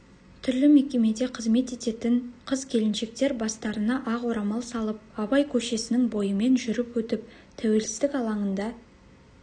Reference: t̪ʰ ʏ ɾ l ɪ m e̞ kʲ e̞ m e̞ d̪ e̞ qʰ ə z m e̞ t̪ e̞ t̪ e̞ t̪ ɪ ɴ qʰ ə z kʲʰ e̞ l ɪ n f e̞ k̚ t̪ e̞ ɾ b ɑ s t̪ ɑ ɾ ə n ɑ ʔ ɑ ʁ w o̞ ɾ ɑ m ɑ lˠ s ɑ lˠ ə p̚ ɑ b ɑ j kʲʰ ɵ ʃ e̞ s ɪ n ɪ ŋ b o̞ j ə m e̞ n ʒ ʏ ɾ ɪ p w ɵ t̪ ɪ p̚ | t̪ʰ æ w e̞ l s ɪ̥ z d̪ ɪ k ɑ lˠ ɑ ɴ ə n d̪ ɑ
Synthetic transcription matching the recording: t̪ʰ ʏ ɾ l ɪ m e̞ kʲ e̞ m e̞ d̪ e̞ qʰ ə z m e̞ t̪ e̞ t̪ e̞ t̪ ɪ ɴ qʰ ə z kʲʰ e̞ l ɪ n ʃ e̞ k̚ t̪ e̞ ɾ b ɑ s t̪ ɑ ɾ ə n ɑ ʔ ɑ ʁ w o̞ ɾ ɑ m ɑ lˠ s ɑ lˠ ə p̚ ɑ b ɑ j kʲʰ ɵ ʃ e̞ s ɪ n ɪ ŋ b o̞ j ə m e̞ n ʒ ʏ ɾ ɪ p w ɵ t̪ ɪ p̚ | t̪ʰ æ w e̞ l s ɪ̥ z d̪ ɪ k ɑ lˠ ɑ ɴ ə n d̪ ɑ